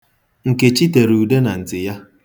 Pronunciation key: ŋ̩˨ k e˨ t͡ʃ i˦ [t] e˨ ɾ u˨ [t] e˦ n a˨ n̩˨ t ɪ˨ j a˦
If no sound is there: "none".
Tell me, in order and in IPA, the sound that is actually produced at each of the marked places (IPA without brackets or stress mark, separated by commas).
t, d